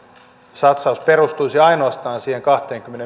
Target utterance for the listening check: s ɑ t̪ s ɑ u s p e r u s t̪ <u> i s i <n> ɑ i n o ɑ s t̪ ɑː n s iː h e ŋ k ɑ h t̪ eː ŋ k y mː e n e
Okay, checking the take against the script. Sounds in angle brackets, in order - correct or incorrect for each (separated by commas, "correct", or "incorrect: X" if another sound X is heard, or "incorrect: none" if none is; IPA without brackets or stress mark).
correct, incorrect: none